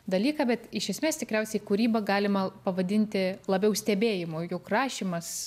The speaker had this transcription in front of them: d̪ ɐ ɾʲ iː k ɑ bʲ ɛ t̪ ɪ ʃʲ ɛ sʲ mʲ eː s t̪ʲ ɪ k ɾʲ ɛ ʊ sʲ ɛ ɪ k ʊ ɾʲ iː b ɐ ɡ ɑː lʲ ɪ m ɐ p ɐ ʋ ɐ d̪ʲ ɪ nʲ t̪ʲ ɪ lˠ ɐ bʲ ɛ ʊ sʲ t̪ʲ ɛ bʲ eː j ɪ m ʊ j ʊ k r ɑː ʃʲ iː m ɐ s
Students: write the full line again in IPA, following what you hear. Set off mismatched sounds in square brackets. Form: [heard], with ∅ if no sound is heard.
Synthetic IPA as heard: d̪ ɐ [lʲ] iː k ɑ bʲ ɛ t̪ ɪ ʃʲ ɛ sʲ mʲ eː s t̪ʲ ɪ k ɾʲ ɛ ʊ sʲ ɛ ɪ k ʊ ɾʲ iː b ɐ ɡ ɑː lʲ ɪ m ɐ p ɐ ʋ ɐ d̪ʲ ɪ nʲ t̪ʲ ɪ lˠ ɐ bʲ ɛ ʊ sʲ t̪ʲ ɛ bʲ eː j ɪ m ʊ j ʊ k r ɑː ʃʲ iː m ɐ s